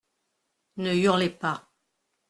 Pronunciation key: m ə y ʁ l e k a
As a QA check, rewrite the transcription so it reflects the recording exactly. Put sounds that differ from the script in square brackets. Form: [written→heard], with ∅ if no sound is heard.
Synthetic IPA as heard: [m→n] ə y ʁ l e [k→p] a

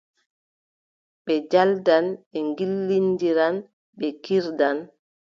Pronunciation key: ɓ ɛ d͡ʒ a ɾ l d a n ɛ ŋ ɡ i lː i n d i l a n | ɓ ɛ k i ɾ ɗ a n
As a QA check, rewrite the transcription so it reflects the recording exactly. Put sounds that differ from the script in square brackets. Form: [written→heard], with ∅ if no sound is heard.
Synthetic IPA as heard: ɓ ɛ d͡ʒ a [ɾ→∅] l d a n ɛ ŋ ɡ i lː i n d i [l→ɾ] a n | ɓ ɛ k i ɾ [ɗ→d] a n

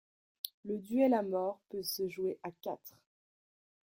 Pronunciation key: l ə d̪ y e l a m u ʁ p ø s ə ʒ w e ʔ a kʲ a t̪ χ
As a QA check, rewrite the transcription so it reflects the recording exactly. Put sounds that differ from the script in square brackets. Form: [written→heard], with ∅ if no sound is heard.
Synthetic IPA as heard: l ə d̪ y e l a m [u→ɔ] ʁ p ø s ə ʒ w e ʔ a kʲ a t̪ χ

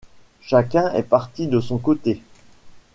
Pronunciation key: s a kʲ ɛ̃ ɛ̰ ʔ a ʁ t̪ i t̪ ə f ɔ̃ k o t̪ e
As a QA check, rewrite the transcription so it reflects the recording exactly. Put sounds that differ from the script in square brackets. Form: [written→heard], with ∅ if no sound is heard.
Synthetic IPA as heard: [s→ʃ] a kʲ ɛ̃ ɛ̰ [ʔ→p] a ʁ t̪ i [t̪→d̪] ə [f→s] ɔ̃ k o t̪ e

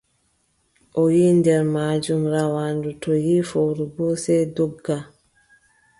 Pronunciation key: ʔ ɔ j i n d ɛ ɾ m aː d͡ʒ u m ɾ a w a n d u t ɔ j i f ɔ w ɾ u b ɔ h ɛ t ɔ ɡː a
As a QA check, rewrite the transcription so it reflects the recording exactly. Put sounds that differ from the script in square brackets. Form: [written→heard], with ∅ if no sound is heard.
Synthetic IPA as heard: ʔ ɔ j i n d ɛ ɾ m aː d͡ʒ u m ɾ a w a n d u t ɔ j i f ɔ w ɾ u b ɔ [h→s] ɛ [t→d] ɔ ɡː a

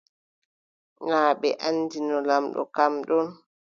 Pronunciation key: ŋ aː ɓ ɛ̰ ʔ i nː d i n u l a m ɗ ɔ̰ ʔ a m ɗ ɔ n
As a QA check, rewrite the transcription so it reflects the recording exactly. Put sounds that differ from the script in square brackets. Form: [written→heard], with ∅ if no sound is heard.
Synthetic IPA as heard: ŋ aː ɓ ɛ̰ ʔ [i→a] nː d i n [u→ɔ] l a m ɗ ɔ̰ [ʔ→k] a m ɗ ɔ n

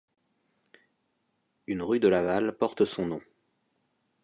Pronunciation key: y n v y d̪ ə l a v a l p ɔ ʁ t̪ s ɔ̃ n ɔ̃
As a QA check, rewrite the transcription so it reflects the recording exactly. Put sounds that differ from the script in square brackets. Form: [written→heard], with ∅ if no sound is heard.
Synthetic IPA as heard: y n [v→ʁ] y d̪ ə l a v a l p ɔ ʁ t̪ s ɔ̃ n ɔ̃

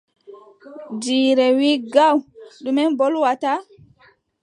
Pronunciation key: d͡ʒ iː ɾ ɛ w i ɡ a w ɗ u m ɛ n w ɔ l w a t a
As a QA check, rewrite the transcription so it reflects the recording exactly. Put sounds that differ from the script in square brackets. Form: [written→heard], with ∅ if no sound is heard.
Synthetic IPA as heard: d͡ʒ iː ɾ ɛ w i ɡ a w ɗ u m ɛ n [w→b] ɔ l w a t a

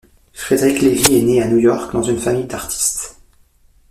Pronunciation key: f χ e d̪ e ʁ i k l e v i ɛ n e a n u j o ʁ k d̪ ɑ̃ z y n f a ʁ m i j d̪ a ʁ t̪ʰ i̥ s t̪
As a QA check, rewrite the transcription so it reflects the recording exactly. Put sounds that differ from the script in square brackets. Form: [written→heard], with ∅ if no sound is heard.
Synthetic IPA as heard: f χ e d̪ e ʁ i k l e v i ɛ n e a n u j [o→ɔ] ʁ k d̪ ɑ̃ z y n f a [ʁ→∅] m i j d̪ a ʁ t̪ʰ i̥ s t̪

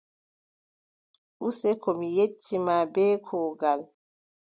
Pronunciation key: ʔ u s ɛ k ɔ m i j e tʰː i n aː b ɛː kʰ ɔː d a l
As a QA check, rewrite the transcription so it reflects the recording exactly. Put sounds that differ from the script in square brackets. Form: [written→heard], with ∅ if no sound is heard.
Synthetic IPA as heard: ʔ u s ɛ k ɔ m i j e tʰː i [n→m] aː b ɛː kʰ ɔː [d→ɡ] a l

